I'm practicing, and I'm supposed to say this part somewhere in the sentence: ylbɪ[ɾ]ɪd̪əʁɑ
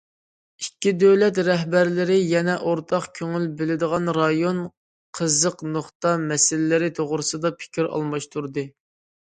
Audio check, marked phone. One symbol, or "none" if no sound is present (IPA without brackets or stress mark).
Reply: l